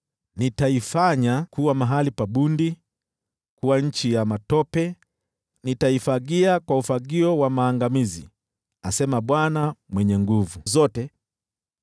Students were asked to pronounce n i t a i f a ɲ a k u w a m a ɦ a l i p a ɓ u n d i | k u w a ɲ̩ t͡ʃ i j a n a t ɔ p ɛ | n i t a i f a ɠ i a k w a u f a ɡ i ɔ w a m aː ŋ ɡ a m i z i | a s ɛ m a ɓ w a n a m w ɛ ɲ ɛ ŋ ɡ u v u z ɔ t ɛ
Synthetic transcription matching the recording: n i t a i f a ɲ a k u w a m a ɦ a l i p a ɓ u n d i | k u w a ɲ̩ t͡ʃ i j a m a t ɔ p ɛ | n i t a i f a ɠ i a k w a u f a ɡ i ɔ w a m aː ŋ ɡ a m i z i | a s ɛ m a ɓ w a n a m w ɛ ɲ ɛ ŋ ɡ u v u z ɔ t ɛ